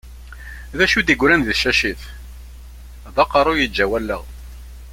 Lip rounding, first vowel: unrounded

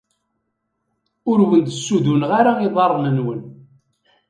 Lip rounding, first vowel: rounded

